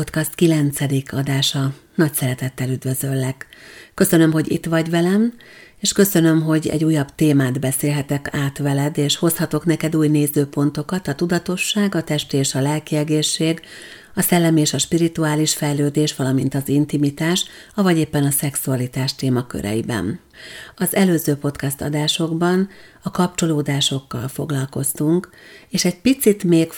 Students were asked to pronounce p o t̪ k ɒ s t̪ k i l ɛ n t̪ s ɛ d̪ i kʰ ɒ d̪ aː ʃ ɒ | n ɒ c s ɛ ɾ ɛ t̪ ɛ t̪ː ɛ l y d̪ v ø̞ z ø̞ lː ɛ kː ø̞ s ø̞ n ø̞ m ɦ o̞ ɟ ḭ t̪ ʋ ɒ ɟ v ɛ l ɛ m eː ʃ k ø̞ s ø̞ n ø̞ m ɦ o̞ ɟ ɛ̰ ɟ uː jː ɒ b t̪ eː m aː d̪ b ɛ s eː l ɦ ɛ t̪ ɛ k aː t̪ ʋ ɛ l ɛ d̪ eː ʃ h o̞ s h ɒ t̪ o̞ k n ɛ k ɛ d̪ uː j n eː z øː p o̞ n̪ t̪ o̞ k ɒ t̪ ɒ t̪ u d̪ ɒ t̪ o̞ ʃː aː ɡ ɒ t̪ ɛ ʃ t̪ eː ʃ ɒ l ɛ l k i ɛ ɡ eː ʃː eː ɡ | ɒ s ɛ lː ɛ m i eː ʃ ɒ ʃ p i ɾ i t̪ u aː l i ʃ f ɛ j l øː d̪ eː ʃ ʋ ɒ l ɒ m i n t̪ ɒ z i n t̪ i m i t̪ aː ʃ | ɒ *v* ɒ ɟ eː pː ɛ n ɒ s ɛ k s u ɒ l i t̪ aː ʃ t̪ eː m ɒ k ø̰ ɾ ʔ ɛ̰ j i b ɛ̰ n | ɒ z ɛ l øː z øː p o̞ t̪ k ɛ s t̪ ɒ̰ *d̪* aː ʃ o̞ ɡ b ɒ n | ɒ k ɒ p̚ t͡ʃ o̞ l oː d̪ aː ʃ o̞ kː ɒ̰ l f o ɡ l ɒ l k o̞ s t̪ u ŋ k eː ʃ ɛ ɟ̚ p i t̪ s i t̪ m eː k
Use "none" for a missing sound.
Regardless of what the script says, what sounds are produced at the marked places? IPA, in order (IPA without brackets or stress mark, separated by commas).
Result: v, d̪